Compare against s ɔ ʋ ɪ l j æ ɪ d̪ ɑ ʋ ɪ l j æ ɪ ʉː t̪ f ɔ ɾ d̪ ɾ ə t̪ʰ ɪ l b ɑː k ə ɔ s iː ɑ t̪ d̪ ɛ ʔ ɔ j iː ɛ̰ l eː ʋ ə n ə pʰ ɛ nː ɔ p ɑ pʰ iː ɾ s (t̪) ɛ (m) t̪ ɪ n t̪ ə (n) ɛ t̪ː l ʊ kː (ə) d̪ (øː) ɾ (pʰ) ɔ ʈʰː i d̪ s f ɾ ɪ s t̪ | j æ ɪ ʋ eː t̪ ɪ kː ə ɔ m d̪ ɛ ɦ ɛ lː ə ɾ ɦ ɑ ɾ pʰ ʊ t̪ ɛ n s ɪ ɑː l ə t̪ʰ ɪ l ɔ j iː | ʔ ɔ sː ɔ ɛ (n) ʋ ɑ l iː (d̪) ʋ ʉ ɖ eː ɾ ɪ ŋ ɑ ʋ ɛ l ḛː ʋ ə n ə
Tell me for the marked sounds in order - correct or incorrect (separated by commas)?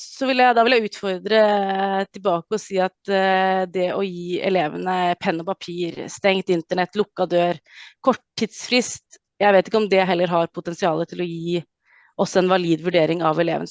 correct, incorrect, incorrect, incorrect, correct, incorrect, correct, correct